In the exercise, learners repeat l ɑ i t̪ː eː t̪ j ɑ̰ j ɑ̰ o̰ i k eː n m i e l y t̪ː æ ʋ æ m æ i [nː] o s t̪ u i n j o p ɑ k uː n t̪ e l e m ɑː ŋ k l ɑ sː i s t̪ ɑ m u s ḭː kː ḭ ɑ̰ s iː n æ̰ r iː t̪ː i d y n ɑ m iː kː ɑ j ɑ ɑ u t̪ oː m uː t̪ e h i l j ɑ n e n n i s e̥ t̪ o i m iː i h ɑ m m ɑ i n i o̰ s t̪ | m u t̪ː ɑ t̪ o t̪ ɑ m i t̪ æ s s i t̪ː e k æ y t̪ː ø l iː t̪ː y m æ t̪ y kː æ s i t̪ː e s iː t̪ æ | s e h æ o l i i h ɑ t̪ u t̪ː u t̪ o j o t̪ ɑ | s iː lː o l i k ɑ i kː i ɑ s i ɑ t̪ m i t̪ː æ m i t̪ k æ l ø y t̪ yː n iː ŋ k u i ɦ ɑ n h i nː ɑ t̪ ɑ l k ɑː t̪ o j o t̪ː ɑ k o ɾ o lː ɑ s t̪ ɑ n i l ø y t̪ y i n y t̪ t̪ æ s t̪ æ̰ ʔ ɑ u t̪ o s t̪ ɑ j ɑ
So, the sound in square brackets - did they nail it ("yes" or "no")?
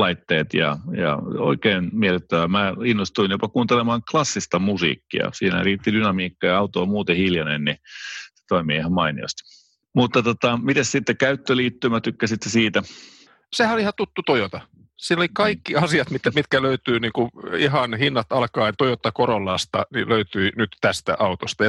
yes